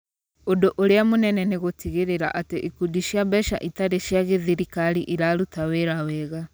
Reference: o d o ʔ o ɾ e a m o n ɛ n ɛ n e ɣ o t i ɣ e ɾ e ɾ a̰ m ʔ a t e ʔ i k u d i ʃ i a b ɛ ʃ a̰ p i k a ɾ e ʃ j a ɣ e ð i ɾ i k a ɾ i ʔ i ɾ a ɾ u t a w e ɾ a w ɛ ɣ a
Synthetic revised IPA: o d o ʔ o ɾ e a m o n ɛ n ɛ n e ɣ o t i ɣ e ɾ e ɾ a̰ ʔ a t e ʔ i k u d i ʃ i a b ɛ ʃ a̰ ʔ i t a ɾ e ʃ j a ɣ e ð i ɾ i k a ɾ i ʔ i ɾ a ɾ u t a w e ɾ a w ɛ ɣ a